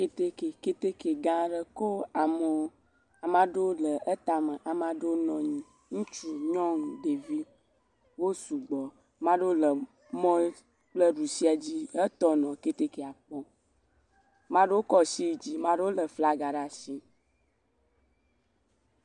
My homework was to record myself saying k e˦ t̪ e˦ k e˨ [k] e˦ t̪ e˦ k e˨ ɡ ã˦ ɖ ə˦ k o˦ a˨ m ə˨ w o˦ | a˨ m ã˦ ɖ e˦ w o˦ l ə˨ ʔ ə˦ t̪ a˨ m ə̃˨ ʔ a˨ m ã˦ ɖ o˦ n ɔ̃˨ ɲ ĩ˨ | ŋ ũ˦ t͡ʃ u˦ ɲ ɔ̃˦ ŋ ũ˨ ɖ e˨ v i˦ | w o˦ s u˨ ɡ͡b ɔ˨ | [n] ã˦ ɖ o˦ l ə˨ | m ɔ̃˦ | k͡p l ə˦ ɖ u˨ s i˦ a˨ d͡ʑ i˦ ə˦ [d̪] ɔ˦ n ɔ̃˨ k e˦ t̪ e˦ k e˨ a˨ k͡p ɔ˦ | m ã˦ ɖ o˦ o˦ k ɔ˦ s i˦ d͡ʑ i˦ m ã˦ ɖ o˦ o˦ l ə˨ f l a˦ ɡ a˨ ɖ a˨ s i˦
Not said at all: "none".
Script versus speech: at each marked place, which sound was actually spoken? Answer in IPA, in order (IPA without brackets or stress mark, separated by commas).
k, m, t̪